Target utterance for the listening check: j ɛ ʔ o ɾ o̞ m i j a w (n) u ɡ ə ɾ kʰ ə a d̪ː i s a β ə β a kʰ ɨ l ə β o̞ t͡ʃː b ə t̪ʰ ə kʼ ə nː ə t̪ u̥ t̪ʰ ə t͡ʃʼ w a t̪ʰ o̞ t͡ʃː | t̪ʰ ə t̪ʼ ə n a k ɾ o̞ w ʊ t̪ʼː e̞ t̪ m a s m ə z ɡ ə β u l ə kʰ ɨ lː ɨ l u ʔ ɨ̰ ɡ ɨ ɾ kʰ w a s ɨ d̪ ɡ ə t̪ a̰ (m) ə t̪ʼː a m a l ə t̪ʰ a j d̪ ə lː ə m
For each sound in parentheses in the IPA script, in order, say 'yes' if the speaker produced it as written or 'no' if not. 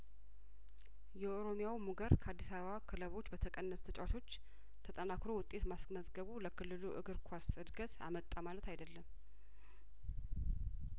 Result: no, yes

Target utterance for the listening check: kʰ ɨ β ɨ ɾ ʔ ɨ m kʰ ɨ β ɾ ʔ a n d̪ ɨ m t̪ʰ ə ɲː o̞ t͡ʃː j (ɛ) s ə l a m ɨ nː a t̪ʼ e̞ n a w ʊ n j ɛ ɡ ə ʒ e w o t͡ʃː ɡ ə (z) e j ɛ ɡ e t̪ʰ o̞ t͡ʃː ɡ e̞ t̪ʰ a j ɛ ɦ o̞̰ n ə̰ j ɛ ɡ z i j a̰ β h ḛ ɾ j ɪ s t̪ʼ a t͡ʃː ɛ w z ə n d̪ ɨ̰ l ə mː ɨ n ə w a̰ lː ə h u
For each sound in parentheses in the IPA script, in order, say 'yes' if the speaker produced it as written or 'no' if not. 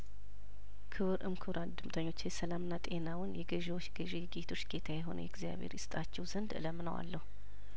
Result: yes, no

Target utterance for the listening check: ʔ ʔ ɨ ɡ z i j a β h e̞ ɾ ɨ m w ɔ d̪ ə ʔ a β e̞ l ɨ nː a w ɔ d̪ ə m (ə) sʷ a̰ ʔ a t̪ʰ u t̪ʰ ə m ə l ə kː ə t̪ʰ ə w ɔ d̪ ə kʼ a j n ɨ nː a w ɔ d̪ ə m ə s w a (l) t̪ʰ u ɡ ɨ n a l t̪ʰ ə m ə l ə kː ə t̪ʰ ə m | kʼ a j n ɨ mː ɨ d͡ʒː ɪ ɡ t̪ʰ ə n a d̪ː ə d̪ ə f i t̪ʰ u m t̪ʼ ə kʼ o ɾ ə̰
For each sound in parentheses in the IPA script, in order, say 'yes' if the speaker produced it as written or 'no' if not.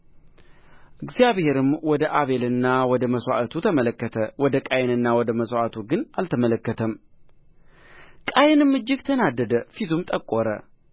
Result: yes, no

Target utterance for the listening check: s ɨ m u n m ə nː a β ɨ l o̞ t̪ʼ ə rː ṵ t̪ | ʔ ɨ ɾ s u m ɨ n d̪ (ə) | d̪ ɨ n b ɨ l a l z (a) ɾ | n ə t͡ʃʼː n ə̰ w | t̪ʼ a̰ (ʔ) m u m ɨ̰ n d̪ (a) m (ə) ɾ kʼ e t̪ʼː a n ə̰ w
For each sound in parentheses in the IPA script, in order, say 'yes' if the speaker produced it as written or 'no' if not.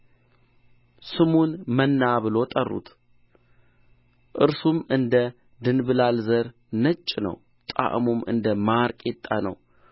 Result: yes, no, yes, no, no

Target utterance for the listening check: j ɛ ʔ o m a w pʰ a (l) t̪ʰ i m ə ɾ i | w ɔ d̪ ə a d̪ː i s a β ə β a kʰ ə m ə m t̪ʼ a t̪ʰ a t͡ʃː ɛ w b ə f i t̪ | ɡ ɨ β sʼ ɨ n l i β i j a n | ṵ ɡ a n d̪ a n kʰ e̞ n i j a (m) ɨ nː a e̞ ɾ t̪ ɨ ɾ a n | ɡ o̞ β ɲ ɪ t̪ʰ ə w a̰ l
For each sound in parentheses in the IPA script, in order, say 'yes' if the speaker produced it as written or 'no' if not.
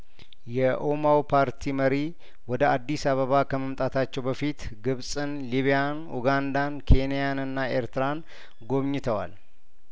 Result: no, no

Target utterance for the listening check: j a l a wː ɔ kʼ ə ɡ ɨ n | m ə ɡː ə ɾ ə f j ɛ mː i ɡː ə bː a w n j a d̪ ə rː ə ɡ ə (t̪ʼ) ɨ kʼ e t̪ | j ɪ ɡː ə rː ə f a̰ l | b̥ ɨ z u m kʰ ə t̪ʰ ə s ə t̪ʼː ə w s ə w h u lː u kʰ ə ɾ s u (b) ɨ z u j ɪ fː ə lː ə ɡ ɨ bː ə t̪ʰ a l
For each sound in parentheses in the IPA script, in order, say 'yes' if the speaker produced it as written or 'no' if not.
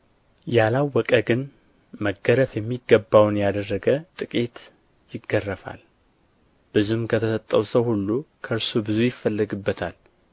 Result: yes, yes

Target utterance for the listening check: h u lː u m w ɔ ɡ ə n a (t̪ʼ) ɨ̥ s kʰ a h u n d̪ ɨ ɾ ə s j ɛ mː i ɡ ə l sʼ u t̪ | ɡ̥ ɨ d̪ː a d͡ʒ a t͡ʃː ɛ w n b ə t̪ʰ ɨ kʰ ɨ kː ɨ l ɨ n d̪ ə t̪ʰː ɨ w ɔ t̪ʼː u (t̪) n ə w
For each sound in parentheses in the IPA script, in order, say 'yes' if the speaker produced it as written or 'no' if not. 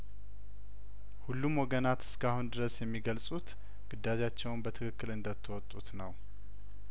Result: no, yes

